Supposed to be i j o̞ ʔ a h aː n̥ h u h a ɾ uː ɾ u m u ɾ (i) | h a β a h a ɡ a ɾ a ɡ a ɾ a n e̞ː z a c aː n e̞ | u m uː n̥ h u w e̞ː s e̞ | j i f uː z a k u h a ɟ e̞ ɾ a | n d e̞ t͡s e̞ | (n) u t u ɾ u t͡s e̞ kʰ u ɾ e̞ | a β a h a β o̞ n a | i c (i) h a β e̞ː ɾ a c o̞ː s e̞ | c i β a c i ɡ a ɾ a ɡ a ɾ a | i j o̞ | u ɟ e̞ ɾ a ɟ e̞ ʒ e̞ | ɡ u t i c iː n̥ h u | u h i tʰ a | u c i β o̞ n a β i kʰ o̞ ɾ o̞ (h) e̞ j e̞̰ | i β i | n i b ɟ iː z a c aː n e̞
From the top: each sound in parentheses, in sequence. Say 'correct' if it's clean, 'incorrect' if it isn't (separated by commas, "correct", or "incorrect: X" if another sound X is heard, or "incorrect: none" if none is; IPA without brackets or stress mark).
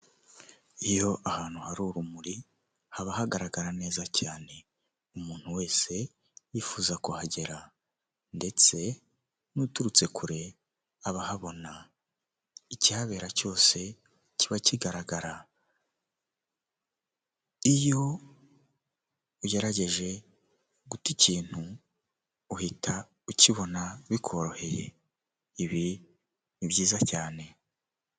correct, correct, correct, correct